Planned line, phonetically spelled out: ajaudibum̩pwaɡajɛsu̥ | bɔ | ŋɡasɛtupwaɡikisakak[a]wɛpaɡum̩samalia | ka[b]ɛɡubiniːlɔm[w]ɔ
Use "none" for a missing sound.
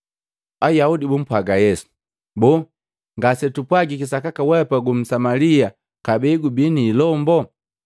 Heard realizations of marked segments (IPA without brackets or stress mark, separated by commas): a, b, b